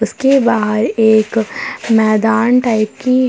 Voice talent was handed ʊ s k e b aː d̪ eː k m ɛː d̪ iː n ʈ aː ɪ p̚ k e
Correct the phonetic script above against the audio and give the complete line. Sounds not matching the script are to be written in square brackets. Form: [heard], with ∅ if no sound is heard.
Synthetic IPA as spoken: ʊ s k e b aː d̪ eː k m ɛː d̪ [aː] n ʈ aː ɪ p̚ k [i]